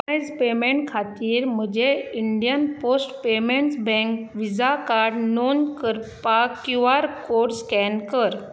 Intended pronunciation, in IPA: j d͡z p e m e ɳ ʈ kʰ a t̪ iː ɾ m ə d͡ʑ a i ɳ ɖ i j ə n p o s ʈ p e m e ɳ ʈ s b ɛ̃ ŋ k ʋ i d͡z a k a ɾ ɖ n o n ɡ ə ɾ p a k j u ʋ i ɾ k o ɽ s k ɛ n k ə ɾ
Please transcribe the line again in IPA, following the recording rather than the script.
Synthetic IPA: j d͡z p e m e ɳ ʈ kʰ a t̪ iː ɾ m ə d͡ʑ e i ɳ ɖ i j ə n p o s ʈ p e m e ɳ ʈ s b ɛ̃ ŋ k ʋ i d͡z a k a ɾ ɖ n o n k ə ɾ p a k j u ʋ a ɾ k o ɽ s k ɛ n k ə ɾ

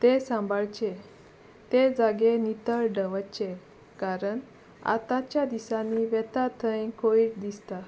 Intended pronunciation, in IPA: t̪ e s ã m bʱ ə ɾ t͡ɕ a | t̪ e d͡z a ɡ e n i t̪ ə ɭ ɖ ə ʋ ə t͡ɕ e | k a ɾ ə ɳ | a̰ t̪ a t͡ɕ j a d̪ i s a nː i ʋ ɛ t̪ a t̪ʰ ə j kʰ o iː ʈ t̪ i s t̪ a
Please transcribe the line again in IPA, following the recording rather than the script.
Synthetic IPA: t̪ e s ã m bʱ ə ɭ t͡ɕ e | t̪ e d͡z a ɡ e n i t̪ ə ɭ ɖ ə ʋ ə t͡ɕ e | k a ɾ ə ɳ | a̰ t̪ a t͡ɕ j a d̪ i s a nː i ʋ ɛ t̪ a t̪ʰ ə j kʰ o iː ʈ d̪ i s t̪ a

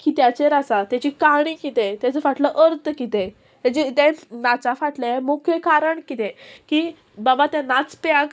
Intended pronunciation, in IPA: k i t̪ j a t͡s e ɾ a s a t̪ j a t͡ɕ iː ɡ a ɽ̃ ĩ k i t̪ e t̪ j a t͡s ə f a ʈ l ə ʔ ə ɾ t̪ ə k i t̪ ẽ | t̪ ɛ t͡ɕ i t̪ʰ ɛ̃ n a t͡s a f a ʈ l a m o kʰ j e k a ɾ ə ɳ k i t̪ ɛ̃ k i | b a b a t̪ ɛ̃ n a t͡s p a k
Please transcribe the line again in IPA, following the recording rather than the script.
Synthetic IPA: k i t̪ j a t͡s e ɾ a s a t̪ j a t͡ɕ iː k a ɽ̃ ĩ k i t̪ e t̪ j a t͡s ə f a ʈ l ə ʔ ə ɾ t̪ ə k i t̪ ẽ | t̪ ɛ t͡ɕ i t̪ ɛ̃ n a t͡s a f a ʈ l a m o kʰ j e k a ɾ ə ɳ k i t̪ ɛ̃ k i | b a b a t̪ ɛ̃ n a t͡s p a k

